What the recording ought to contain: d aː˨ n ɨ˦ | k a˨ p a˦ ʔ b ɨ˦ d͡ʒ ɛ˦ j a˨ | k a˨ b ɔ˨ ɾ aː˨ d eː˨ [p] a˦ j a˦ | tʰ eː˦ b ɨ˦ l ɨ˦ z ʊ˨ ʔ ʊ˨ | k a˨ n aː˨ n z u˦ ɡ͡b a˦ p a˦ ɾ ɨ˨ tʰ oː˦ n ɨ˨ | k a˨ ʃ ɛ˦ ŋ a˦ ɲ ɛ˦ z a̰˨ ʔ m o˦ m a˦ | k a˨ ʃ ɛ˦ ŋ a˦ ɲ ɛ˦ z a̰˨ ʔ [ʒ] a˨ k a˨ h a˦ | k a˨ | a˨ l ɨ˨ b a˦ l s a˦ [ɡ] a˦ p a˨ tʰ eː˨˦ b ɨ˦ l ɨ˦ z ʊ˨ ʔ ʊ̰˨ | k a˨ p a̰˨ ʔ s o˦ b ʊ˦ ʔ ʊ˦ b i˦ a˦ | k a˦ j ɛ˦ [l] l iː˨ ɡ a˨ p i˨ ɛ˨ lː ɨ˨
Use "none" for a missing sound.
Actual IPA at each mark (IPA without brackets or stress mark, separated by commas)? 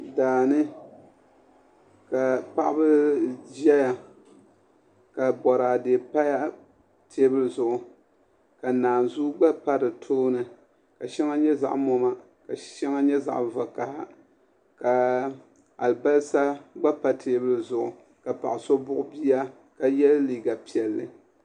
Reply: p, v, ɡ͡b, l